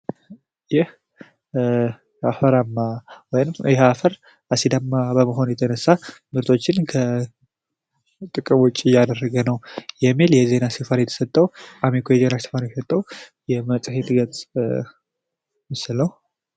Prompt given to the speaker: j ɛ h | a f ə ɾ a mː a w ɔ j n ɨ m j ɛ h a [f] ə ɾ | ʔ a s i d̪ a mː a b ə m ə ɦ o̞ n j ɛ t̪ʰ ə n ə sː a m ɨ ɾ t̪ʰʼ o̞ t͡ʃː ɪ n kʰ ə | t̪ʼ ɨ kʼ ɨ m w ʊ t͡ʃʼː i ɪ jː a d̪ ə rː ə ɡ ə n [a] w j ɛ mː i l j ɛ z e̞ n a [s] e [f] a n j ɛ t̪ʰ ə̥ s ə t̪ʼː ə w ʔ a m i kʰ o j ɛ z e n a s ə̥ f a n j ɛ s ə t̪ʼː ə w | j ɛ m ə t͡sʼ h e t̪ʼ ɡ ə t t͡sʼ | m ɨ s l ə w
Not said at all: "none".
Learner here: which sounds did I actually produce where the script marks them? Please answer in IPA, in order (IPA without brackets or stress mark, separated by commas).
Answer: f, ə, s, f